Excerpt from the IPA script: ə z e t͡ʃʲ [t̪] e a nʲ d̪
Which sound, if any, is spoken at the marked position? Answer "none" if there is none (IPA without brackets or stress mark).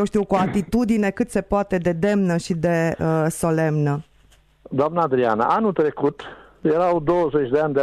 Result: d̪